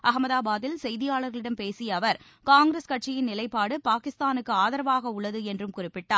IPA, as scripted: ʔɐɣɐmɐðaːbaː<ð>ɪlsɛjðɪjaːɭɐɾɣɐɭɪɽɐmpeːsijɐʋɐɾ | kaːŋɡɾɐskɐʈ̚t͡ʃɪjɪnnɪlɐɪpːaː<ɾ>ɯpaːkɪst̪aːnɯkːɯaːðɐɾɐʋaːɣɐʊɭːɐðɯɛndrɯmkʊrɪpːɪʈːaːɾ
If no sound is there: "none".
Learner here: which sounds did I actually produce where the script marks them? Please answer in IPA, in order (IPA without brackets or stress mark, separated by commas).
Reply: ð, ɽ